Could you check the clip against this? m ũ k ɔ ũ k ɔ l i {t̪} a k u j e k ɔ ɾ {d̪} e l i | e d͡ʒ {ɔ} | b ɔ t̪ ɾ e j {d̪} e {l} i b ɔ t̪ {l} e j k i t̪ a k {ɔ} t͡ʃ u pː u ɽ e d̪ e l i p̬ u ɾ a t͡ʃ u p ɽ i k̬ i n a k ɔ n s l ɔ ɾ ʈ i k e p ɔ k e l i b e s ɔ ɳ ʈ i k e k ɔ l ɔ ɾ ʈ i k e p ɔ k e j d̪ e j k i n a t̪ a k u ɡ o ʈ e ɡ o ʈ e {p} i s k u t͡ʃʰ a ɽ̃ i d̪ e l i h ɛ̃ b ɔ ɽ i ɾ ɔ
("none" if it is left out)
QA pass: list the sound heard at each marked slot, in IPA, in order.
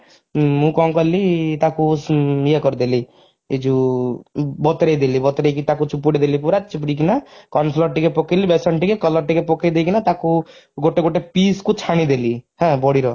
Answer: t̪, d̪, u, d̪, l, ɾ, u, p

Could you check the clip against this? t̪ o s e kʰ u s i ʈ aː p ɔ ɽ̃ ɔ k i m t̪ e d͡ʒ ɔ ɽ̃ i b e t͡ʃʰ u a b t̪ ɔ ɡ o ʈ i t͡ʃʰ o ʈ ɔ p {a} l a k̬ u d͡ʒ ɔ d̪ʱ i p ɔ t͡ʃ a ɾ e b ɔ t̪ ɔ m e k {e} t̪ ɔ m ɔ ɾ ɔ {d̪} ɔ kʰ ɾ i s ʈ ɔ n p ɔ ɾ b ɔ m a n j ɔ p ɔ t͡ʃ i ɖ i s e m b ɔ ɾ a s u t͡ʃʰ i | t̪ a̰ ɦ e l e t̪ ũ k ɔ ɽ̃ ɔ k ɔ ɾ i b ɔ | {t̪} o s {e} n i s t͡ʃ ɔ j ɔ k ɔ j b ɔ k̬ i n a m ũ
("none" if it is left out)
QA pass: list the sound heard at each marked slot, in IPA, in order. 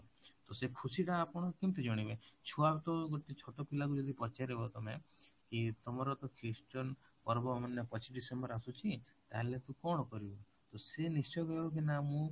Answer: i, i, t̪, t̪, e

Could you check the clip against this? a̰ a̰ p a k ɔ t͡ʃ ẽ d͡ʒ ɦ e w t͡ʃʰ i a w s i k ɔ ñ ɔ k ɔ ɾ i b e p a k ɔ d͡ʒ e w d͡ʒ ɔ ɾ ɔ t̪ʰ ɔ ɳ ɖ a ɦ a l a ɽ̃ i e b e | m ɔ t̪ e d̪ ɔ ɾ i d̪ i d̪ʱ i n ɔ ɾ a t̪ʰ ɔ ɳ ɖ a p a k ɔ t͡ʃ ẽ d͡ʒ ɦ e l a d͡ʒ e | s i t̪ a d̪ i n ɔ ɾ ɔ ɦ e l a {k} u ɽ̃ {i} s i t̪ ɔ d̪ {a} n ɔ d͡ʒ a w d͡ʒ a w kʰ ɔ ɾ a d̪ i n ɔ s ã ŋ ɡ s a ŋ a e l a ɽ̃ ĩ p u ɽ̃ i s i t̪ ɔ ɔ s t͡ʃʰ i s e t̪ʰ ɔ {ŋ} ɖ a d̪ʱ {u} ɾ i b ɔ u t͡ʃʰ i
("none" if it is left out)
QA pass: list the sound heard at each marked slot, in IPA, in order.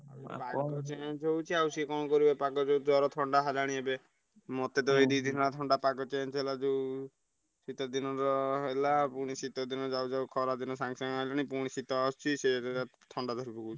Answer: p, i, i, ɳ, ɔ

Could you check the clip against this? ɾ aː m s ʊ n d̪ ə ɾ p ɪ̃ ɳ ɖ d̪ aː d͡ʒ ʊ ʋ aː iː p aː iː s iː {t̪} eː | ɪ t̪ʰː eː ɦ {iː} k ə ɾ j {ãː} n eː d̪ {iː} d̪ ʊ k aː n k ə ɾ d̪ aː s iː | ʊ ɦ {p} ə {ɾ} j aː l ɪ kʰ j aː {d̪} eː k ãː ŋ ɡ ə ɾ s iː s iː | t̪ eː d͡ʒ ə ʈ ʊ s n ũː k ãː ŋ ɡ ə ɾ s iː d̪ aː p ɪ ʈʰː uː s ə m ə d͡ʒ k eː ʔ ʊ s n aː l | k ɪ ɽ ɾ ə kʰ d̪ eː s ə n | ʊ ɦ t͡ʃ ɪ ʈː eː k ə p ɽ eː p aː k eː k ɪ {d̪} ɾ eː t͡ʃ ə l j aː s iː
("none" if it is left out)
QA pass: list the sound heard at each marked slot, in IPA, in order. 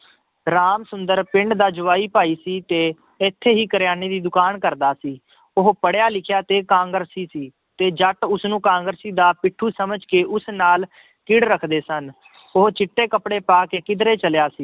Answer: t̪, iː, aː, iː, p, ɽ, t̪, d̪

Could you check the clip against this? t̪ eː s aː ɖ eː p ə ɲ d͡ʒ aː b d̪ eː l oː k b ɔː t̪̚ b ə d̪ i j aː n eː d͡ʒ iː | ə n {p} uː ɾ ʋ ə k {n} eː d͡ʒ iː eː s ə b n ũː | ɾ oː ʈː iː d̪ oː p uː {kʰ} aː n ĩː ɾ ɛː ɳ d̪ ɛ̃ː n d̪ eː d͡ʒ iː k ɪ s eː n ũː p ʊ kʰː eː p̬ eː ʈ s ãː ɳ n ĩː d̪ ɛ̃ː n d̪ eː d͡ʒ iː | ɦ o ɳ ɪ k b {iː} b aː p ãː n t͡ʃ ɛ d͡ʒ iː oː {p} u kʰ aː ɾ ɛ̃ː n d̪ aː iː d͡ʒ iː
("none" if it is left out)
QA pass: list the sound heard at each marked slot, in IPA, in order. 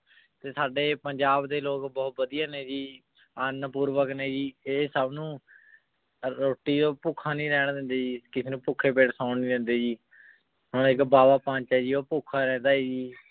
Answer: p, n, kʰ, aː, p

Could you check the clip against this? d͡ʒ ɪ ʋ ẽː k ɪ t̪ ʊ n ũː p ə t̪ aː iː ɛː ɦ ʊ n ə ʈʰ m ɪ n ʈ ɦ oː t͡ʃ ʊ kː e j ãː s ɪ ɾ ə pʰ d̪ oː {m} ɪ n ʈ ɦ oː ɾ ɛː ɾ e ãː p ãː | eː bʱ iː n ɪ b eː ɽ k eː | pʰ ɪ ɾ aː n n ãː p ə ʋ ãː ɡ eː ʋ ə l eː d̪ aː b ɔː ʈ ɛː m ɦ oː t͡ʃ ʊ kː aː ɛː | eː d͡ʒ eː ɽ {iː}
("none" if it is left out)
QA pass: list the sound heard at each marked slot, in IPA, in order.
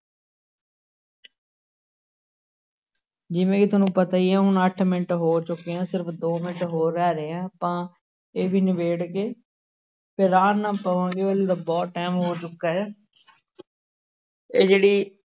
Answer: m, iː

